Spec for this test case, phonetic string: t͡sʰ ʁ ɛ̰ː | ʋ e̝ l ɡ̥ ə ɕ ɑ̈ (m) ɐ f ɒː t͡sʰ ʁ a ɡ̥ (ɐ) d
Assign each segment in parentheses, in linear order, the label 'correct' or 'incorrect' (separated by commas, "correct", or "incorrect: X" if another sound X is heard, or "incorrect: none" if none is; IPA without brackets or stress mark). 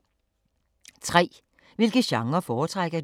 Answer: incorrect: ŋ, correct